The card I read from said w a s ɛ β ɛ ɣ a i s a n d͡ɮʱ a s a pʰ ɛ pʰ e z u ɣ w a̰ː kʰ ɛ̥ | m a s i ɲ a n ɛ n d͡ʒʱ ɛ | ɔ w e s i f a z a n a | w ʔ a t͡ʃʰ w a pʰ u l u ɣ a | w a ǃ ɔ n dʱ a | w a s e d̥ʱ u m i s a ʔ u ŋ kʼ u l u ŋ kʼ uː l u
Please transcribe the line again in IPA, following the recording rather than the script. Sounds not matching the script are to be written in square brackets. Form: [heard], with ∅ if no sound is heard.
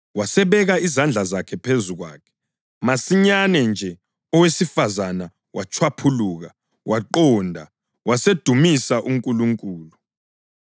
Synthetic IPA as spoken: w a s ɛ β ɛ ɣ a i [z] a n d͡ɮʱ a [z] a [kʰ] ɛ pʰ e z u ɣ w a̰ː kʰ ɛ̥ | m a s i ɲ a n ɛ n d͡ʒʱ ɛ | ɔ w e s i f a z a n a | w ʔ a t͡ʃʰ w a pʰ u l u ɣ a | w a ǃ ɔ n dʱ a | w a s e d̥ʱ u m i s a ʔ u ŋ kʼ u l u ŋ kʼ uː l u